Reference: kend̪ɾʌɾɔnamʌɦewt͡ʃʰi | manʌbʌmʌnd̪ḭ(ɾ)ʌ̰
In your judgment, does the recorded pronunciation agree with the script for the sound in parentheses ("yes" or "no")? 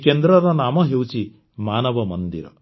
yes